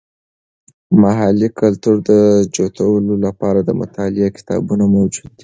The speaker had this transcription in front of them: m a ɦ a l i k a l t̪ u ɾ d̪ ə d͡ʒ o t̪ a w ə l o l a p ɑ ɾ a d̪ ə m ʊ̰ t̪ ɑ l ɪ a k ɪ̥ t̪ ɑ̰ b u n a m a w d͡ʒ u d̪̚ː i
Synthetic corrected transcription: m a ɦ a l i k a l t̪ u ɾ d̪ ə d͡ʒ o t̪ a w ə l o l a p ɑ ɾ a d̪ ə m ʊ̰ t̪ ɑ l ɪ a k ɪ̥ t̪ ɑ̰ b u n a m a w d͡ʒ u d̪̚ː i